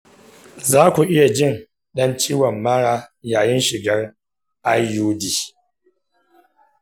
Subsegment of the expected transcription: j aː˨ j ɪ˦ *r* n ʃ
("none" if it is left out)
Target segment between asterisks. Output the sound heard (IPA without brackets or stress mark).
none